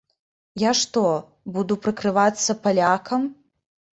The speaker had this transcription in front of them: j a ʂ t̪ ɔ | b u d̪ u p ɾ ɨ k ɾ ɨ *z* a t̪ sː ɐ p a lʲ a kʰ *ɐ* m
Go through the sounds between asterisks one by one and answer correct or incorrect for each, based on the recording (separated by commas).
incorrect, correct